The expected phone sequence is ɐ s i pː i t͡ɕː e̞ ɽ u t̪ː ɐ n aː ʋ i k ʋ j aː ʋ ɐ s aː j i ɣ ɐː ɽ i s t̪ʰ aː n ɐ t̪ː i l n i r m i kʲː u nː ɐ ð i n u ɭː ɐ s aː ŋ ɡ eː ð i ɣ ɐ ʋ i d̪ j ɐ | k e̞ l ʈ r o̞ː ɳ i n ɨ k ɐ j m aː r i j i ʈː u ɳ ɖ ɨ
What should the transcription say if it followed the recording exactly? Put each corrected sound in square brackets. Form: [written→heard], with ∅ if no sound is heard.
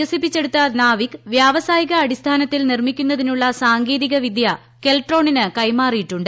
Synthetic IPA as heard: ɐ s i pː i t͡ɕː e̞ ɽ u t̪ː ɐ n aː ʋ i k ʋ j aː ʋ ɐ s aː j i ɣ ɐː ɽ i s t̪ʰ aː n ɐ t̪ː i l n i r m i kʲː u nː ɐ ð i n u ɭː ɐ s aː ŋ ɡ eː ð i ɣ ɐ ʋ i d̪ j ɐ | k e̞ l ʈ r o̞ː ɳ i n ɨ k ɐ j m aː r i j i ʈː u ɳ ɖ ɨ